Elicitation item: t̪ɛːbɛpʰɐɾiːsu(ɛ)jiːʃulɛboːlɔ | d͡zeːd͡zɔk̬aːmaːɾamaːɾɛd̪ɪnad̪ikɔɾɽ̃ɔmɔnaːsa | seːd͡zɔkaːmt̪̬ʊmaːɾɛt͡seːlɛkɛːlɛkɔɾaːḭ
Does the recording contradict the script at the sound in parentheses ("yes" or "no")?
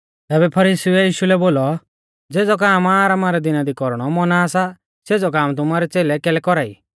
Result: no